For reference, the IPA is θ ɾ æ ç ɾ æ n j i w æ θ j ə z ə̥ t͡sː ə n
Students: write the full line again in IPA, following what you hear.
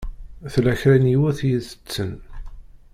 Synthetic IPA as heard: θ l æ ç ɾ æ n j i w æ θ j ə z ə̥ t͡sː ə n